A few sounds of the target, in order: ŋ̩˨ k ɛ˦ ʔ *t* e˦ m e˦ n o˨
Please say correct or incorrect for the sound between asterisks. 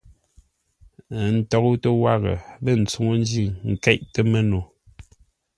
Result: correct